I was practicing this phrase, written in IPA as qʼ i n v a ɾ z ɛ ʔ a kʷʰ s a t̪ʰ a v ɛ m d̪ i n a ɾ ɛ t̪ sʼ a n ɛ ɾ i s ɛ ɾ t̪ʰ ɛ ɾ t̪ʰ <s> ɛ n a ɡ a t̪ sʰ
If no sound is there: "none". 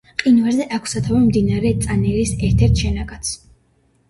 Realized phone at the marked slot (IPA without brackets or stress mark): ʃ